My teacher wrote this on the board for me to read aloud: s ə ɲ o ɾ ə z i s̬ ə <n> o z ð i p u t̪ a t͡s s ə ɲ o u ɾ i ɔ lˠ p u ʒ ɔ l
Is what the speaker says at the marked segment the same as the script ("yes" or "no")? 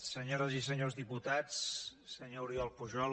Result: no